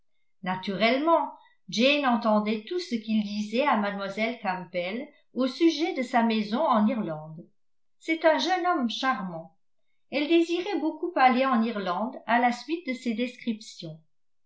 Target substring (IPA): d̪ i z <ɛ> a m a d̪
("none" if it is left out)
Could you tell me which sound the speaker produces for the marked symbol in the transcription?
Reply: ɛ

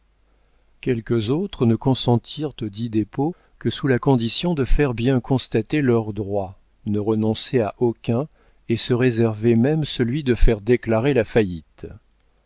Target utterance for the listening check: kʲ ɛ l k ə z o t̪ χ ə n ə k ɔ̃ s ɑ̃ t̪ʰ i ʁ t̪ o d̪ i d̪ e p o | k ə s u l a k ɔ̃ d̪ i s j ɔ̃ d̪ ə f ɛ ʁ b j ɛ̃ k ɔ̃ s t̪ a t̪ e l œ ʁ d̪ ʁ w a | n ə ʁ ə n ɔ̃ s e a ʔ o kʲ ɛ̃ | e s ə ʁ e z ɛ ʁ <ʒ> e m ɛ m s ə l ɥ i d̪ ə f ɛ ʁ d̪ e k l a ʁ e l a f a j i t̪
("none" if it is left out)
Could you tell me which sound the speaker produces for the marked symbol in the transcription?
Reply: v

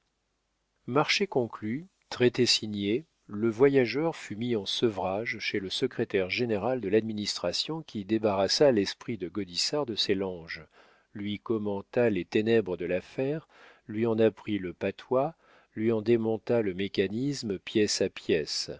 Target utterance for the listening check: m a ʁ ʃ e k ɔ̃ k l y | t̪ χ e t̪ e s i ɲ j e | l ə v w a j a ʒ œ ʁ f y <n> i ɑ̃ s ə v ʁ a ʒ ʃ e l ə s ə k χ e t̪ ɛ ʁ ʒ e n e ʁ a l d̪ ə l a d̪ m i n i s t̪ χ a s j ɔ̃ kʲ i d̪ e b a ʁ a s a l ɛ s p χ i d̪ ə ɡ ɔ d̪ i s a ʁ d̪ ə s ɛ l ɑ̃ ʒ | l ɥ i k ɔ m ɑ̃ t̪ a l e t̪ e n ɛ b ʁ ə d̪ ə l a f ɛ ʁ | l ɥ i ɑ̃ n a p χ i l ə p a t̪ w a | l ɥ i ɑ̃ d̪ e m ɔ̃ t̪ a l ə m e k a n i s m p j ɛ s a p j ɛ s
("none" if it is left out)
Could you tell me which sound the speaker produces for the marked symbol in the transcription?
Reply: m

